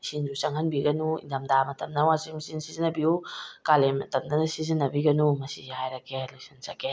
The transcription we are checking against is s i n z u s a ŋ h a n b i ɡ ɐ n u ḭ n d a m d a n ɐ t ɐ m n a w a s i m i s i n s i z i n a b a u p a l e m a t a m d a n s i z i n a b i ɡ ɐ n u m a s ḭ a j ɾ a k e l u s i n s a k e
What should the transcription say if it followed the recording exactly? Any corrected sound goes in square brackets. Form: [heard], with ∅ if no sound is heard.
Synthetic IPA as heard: s i n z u s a ŋ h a n b i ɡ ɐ n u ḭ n d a m d a [m] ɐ t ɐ m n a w a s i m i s i n s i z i n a b [i] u [k] a l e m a t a m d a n s i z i n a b i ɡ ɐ n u m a s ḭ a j ɾ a k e l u s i n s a k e